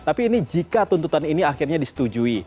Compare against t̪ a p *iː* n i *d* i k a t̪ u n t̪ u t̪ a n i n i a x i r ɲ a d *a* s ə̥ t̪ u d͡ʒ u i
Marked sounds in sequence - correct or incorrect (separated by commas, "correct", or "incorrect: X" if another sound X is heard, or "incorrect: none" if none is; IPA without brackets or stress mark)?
correct, incorrect: d͡ʒ, incorrect: i